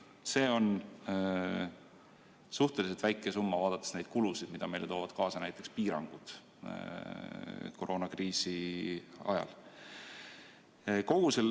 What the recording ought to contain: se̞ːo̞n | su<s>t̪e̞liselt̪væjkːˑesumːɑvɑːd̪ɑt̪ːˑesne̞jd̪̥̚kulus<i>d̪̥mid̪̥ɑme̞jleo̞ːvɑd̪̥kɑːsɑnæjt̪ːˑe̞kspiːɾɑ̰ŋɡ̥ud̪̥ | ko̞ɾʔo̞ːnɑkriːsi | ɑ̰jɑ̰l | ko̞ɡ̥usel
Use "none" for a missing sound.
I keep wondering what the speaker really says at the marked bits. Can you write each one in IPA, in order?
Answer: h, i

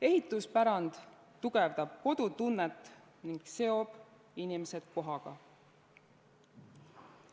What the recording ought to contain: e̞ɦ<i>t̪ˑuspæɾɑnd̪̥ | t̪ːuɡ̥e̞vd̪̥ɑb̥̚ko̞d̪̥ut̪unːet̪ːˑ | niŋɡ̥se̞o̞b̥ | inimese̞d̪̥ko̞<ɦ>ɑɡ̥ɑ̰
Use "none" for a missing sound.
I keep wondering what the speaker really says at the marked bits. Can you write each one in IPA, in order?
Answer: i, ɦ

